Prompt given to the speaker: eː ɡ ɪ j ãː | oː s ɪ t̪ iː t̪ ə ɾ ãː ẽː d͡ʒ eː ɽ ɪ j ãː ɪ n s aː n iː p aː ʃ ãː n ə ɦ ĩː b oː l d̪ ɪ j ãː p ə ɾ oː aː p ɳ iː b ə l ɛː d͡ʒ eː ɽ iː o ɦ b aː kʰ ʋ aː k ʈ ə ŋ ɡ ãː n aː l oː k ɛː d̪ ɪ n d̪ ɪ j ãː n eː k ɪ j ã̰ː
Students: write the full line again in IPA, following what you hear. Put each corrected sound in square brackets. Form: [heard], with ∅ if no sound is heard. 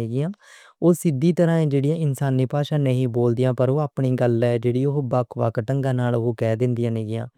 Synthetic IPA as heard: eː ɡ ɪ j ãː | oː s ɪ [d̪] iː t̪ ə ɾ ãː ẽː d͡ʒ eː ɽ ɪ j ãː ɪ n s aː n iː p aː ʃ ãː n ə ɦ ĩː b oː l d̪ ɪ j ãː p ə ɾ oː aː p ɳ iː [ɡ] ə l ɛː d͡ʒ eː ɽ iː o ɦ b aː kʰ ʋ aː k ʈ ə ŋ ɡ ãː n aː l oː k ɛː d̪ ɪ n d̪ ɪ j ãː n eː [ɡ] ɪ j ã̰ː

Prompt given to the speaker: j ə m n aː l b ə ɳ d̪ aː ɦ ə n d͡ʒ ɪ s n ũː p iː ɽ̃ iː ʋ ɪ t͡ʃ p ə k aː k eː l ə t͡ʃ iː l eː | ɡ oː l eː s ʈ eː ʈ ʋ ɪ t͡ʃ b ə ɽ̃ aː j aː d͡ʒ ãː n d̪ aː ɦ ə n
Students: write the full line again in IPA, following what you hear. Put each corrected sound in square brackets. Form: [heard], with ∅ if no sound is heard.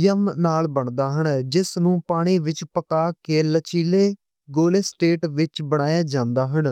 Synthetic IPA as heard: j ə m n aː l b ə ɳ d̪ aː ɦ ə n d͡ʒ ɪ s n ũː p [aː] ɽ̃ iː ʋ ɪ t͡ʃ p ə k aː k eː l ə t͡ʃ iː l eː | ɡ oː l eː s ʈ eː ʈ ʋ ɪ t͡ʃ b ə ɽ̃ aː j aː d͡ʒ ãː n d̪ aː ɦ ə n

